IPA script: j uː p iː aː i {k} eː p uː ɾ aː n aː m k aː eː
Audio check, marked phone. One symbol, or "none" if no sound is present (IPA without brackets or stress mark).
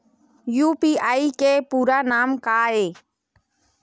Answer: k